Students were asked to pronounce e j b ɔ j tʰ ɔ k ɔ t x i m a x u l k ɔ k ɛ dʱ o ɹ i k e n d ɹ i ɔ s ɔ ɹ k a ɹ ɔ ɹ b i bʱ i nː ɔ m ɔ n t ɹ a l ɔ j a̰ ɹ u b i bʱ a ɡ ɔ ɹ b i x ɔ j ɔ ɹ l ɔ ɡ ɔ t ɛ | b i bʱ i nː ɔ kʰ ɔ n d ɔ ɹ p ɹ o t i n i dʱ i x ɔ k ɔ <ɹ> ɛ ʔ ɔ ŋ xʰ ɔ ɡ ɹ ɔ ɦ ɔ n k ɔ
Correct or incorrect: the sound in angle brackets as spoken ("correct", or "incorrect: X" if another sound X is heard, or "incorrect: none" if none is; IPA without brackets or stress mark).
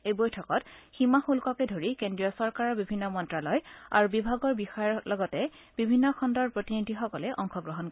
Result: incorrect: l